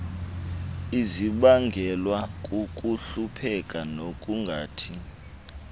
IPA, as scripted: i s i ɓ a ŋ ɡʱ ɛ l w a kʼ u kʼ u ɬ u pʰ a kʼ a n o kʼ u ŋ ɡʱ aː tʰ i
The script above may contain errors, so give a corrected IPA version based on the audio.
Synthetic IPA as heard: i z i ɓ a ŋ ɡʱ ɛ l w a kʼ u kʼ u ɬ u pʰ ɛ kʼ a n o kʼ u ŋ ɡʱ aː tʰ i